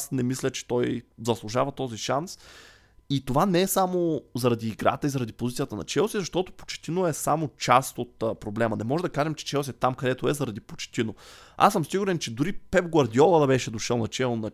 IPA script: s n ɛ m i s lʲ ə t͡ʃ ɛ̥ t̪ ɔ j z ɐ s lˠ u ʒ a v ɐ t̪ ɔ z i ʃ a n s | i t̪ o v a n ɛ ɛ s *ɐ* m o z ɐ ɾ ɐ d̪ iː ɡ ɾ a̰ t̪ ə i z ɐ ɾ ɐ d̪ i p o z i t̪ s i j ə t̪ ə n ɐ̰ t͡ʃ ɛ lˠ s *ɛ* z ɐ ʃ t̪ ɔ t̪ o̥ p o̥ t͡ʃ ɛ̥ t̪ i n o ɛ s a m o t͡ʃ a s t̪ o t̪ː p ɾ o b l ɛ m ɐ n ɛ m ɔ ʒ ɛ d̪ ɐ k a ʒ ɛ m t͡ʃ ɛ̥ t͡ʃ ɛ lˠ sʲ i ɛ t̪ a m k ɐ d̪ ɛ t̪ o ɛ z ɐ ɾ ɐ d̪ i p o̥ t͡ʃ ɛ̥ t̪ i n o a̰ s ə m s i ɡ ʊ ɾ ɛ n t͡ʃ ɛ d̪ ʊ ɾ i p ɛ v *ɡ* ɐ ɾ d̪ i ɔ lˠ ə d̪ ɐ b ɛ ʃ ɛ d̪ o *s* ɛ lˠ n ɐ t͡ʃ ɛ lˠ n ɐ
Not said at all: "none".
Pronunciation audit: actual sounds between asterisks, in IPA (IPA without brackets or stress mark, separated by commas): a, i, ɡ, ʃ